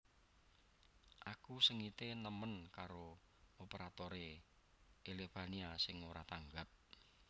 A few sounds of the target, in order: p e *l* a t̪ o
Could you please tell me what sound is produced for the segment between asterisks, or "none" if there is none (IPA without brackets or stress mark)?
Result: ɾ